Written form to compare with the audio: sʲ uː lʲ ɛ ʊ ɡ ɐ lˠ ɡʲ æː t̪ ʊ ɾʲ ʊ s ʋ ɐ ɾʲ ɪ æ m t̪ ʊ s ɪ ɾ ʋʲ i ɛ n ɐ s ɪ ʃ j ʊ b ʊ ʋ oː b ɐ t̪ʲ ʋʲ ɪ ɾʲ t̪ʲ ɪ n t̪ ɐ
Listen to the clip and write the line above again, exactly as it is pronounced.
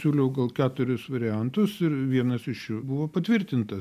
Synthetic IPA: sʲ uː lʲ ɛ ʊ ɡ ɐ lˠ kʲ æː t̪ ʊ ɾʲ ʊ s ʋ ɐ ɾʲ ɪ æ n t̪ ʊ s ɪ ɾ ʋʲ i ɛ n ɐ s ɪ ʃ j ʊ b ʊ ʋ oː p ɐ t̪ʲ ʋʲ ɪ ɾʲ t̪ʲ ɪ n t̪ ɐ